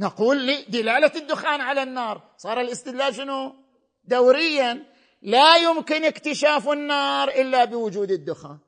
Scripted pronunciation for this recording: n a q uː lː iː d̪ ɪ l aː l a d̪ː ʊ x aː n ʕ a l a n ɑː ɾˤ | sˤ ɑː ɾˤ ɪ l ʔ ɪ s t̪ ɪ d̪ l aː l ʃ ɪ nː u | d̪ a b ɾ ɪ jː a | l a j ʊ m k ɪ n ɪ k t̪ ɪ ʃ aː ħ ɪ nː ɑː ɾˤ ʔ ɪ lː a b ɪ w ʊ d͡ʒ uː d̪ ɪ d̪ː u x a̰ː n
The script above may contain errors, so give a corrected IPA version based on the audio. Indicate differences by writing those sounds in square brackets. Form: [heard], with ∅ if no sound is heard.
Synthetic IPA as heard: n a q uː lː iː d̪ ɪ l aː l a d̪ː ʊ x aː n ʕ a l a [nː] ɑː ɾˤ | sˤ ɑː ɾˤ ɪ l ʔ ɪ s t̪ ɪ d̪ l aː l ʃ ɪ [n] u | d̪ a [w] ɾ ɪ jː a | l a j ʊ m k ɪ n ɪ k t̪ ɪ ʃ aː [f] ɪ nː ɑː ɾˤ ʔ ɪ lː a b ɪ w ʊ d͡ʒ uː d̪ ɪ d̪ː [ʊ] x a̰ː n